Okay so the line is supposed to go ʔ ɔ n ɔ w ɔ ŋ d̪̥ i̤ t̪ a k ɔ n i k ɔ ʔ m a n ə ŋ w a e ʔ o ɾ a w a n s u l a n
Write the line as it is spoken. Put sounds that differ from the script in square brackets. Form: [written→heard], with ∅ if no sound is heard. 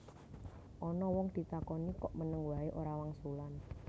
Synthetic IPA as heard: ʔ ɔ n ɔ w ɔ ŋ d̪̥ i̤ t̪ a k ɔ n i k ɔ ʔ m [a→ə] n ə ŋ w a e ʔ o ɾ a w a [n→ŋ] s u l a n